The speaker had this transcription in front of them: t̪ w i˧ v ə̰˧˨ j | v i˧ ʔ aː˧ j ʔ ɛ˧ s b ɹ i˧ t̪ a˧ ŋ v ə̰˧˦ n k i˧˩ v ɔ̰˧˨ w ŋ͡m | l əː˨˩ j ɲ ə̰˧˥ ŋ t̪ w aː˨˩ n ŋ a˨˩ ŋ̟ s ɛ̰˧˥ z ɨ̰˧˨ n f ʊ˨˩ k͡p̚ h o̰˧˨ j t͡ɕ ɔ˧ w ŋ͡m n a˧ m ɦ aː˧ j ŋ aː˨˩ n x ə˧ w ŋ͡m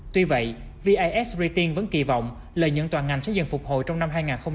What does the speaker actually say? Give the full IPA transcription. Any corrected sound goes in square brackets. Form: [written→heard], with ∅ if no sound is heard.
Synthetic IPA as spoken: t̪ w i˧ v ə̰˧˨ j | v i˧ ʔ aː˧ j ʔ [ɛ˧→ɛ˦˥] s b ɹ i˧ t̪ [a˧→i˧] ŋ v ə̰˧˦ n k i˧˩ v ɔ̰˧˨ w ŋ͡m | l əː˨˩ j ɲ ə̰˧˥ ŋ t̪ w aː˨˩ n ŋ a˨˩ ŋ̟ s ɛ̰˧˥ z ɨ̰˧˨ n f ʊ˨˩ k͡p̚ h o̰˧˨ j t͡ɕ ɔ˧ w ŋ͡m n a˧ m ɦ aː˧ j ŋ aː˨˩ n x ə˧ w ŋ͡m

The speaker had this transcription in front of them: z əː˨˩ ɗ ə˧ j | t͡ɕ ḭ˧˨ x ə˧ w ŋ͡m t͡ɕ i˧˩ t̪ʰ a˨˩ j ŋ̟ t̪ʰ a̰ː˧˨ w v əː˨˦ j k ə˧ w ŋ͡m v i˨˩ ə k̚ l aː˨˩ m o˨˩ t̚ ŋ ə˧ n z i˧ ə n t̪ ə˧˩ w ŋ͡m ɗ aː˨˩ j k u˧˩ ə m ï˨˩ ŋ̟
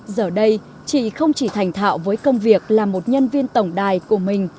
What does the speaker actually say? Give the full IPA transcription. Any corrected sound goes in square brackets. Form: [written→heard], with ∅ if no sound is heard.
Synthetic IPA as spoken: z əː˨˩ ɗ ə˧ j | t͡ɕ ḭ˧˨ x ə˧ w ŋ͡m t͡ɕ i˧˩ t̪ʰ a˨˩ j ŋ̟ t̪ʰ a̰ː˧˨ w v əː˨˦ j k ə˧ w ŋ͡m v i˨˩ ə k̚ l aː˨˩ m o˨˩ t̚ [ŋ→ɲ] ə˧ n [z→v] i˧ ə n t̪ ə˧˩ w ŋ͡m ɗ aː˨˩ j k u˧˩ ə m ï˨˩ ŋ̟

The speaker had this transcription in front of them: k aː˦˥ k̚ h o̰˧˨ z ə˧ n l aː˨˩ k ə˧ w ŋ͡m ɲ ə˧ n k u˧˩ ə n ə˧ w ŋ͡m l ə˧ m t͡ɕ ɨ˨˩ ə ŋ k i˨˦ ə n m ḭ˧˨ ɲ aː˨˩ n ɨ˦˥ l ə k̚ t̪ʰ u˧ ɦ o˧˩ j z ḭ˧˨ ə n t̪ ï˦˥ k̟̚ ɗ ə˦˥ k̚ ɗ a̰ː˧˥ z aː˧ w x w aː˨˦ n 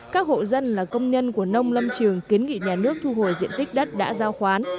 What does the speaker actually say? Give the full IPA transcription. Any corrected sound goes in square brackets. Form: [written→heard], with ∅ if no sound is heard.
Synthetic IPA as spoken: k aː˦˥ k̚ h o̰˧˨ z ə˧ n l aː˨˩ k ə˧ w ŋ͡m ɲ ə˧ n k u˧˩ ə n ə˧ w ŋ͡m l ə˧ m t͡ɕ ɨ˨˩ ə ŋ k i˨˦ ə n [m→ŋ] ḭ˧˨ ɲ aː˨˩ n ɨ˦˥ [l→∅] ə k̚ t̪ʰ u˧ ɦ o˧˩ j z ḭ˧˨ ə n t̪ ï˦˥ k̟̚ ɗ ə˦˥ [k̚→t̚] ɗ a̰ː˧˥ z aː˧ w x w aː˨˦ n

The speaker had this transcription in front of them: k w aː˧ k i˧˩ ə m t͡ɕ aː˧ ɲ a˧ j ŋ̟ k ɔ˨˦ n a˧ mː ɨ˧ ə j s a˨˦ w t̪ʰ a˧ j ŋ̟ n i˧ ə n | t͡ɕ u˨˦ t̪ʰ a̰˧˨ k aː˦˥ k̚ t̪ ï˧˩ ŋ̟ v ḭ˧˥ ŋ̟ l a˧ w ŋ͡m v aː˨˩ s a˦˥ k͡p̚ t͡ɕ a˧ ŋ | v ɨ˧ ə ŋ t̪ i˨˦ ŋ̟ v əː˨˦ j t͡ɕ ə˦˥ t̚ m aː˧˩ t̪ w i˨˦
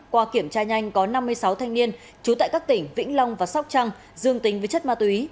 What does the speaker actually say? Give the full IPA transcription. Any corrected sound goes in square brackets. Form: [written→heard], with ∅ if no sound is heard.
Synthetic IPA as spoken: k w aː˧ k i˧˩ ə m t͡ɕ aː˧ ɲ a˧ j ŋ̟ k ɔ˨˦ n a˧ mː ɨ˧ ə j s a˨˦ w t̪ʰ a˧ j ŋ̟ n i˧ ə n | t͡ɕ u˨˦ [t̪ʰ→t̪] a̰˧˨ k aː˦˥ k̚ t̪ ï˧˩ ŋ̟ v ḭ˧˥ ŋ̟ l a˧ w ŋ͡m v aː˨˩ s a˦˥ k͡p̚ t͡ɕ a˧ ŋ | [v→z] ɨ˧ ə ŋ t̪ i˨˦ ŋ̟ v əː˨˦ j t͡ɕ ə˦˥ t̚ m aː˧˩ t̪ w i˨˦

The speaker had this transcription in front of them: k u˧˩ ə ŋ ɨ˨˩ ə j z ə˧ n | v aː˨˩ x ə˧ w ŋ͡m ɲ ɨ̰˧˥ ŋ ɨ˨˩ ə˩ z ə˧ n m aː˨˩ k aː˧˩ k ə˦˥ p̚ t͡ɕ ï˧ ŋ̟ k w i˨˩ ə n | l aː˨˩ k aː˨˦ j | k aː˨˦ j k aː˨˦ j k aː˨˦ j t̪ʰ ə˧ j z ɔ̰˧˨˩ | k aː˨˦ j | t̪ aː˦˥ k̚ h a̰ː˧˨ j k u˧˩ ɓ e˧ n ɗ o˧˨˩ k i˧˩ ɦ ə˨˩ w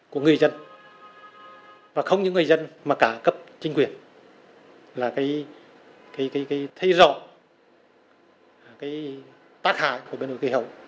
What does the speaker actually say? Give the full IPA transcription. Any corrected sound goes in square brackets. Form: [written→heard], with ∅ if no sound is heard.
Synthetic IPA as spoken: k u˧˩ ə ŋ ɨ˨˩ ə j z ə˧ n | v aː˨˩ x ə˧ w ŋ͡m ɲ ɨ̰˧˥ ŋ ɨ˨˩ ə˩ z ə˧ n m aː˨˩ k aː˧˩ k ə˦˥ p̚ t͡ɕ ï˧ ŋ̟ k w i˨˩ ə n | l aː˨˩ k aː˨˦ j | k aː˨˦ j k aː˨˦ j k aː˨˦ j t̪ʰ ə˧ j z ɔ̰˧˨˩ | k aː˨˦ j | t̪ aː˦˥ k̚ h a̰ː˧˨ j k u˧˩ ɓ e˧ n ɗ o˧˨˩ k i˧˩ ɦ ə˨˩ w

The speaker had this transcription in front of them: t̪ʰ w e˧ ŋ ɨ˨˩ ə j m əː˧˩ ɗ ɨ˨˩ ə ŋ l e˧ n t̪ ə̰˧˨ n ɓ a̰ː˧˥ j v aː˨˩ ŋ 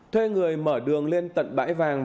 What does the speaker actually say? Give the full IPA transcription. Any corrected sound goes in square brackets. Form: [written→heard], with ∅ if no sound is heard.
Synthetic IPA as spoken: t̪ʰ w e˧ ŋ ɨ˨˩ ə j m əː˧˩ ɗ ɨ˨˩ ə ŋ l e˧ n t̪ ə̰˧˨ n ɓ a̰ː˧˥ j v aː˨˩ ŋ

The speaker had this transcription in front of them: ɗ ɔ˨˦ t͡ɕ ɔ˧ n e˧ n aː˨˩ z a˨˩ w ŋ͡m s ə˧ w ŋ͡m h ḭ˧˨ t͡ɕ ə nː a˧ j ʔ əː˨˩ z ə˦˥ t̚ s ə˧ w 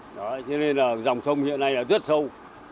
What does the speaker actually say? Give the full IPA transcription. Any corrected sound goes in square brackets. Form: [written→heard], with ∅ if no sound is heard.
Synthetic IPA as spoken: ɗ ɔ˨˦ t͡ɕ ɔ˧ n e˧ n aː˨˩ z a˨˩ w ŋ͡m s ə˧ w ŋ͡m h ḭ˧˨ [t͡ɕ→∅] ə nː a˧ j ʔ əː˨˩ z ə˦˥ t̚ s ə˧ w

